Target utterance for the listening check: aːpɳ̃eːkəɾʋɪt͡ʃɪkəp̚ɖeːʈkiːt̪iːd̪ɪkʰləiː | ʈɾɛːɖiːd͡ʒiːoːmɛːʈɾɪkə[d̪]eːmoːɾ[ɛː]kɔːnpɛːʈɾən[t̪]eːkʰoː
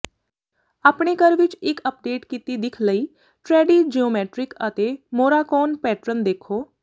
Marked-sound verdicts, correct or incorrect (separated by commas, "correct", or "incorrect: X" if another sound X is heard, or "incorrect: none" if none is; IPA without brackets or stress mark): incorrect: t̪, incorrect: aː, incorrect: d̪